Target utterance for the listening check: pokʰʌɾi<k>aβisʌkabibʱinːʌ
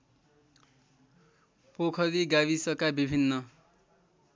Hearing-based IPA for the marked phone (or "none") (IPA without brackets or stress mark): ɡ